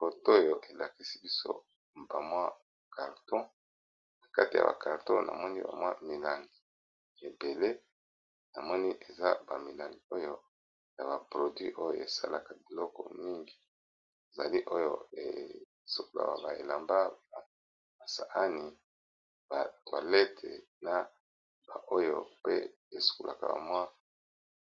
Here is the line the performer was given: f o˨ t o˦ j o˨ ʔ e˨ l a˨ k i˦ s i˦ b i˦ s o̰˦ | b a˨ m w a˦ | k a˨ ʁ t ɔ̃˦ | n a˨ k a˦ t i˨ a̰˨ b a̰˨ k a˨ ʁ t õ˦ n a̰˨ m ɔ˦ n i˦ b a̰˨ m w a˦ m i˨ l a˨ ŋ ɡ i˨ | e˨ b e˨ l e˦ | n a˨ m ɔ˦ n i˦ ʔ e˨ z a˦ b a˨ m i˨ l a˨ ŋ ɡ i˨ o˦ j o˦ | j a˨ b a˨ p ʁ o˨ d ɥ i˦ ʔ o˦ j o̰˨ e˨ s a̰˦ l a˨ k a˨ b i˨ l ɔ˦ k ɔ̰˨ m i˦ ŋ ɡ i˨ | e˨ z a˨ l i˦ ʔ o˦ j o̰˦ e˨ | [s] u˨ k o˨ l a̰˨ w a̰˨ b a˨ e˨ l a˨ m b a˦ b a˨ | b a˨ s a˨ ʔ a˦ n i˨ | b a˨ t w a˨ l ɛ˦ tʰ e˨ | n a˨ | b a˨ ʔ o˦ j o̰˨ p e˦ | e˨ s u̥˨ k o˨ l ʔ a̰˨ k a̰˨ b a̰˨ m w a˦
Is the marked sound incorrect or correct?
correct